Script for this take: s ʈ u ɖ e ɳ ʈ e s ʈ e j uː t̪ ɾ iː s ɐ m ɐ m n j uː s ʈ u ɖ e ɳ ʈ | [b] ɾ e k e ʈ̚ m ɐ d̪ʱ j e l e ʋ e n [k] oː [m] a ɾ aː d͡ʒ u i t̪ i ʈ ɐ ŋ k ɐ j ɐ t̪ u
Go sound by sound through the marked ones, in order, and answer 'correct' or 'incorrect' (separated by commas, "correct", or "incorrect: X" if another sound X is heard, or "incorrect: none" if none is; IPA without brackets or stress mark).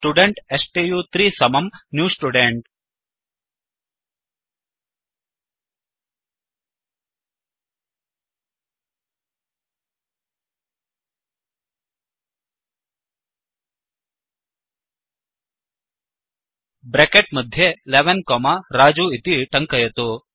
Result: correct, correct, correct